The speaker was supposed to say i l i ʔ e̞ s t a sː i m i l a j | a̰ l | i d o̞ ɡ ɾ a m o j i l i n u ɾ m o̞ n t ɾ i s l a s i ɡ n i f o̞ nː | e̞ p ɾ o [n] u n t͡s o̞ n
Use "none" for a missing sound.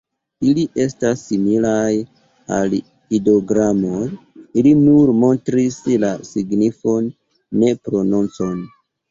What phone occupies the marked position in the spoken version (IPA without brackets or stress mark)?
n